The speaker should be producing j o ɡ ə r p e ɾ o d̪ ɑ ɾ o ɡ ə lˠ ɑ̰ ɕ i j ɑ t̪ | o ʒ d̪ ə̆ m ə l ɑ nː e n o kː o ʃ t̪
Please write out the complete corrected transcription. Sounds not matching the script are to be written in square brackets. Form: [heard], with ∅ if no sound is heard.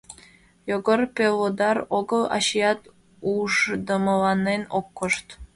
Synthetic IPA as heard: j o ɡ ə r p e [l] o d̪ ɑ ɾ o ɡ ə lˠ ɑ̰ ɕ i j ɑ t̪ | [u] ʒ d̪ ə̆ m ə l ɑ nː e n o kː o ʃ t̪